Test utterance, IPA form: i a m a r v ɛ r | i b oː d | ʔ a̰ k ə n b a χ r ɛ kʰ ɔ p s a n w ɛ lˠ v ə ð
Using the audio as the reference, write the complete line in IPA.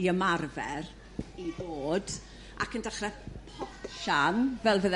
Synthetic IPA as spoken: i ə m a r v ɛ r | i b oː d | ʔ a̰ k ə n d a χ r ɛ pʰ ɔ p ʃ a n v ɛ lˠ v ə ð

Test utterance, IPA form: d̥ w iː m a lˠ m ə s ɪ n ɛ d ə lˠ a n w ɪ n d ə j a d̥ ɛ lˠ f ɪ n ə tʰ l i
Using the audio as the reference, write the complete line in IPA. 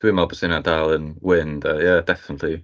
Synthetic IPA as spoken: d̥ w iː m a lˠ b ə s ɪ n a d a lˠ ə n w ɪ n d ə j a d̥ ɛ f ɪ n ə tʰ l i

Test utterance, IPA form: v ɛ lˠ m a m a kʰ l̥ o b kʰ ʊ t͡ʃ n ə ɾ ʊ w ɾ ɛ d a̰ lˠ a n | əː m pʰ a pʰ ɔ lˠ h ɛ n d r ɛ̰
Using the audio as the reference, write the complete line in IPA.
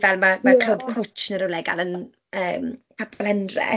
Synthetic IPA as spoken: v ɛ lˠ m a m a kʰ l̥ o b kʰ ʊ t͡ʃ n ə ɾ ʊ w l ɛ ɡ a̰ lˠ ə n | əː m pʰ a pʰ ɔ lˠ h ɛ n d r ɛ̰

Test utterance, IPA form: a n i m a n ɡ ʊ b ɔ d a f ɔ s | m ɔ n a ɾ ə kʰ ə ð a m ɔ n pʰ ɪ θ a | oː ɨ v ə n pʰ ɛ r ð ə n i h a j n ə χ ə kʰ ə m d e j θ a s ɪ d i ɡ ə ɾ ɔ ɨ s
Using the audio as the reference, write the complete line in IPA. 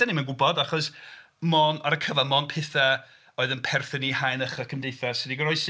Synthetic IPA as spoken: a n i m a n ɡ ʊ b ɔ d a χ ɔ s | m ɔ n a ɾ ə kʰ ə v a m ɔ n pʰ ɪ θ a | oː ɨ ð ə n pʰ ɛ r θ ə n i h a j n ə χ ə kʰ ə m d e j θ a s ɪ d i ɡ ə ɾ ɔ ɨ s

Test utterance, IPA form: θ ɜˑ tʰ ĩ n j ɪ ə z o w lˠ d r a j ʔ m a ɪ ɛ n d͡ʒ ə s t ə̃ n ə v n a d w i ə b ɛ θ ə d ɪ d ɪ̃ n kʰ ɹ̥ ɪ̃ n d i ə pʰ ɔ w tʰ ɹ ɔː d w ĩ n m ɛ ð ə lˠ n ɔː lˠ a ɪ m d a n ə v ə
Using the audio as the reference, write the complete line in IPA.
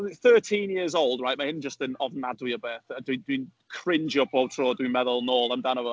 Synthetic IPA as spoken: θ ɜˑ tʰ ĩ n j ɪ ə z o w lˠ d ɹ a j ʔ m a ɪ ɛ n d͡ʒ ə s t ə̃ n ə v n a d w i ə b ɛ θ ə d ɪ d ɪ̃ n kʰ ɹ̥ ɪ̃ n d͡ʒ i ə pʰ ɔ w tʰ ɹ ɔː d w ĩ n m ɛ ð ə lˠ n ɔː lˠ a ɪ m d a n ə v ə

